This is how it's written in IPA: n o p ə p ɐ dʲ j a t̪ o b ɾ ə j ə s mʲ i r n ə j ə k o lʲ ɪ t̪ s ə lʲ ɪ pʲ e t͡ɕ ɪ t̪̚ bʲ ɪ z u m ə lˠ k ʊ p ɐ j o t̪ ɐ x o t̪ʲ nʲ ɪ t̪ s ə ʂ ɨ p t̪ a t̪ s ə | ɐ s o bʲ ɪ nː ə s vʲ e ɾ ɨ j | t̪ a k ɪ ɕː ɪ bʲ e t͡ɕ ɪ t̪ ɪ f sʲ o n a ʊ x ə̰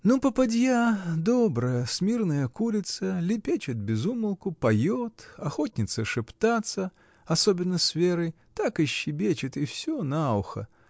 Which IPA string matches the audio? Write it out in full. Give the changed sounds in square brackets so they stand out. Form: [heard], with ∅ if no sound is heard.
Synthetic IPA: n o p ə p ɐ dʲ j a [d̪] o b ɾ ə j ə s mʲ i r n ə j ə k [u] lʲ ɪ t̪ s ə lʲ ɪ pʲ e t͡ɕ ɪ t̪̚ bʲ ɪ z u m ə lˠ k ʊ p ɐ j o t̪ ɐ x o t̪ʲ nʲ ɪ t̪ s ə ʂ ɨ p t̪ a t̪ s ə | ɐ s o bʲ ɪ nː ə s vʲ e ɾ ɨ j | t̪ a k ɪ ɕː ɪ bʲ e t͡ɕ ɪ t̪ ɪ f sʲ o n a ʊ x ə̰